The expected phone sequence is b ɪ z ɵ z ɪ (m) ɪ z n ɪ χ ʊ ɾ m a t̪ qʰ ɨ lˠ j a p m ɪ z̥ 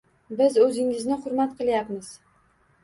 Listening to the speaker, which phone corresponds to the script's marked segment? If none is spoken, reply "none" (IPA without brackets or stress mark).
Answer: ŋ